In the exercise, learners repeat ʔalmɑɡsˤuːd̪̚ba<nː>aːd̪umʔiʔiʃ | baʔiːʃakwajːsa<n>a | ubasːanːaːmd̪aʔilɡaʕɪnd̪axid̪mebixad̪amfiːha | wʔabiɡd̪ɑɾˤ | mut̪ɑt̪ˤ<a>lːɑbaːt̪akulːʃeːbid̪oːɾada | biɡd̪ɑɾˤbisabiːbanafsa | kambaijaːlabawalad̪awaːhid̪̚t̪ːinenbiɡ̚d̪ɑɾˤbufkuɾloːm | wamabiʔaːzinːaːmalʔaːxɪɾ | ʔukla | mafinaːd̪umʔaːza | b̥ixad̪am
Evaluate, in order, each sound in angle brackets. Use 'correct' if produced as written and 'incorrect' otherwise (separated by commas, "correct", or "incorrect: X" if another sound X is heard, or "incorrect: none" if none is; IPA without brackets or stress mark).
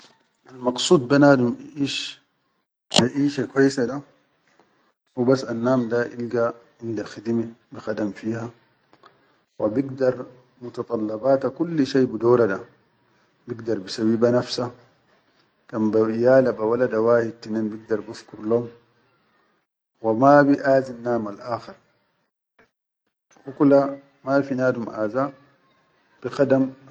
incorrect: n, incorrect: d, incorrect: ɑ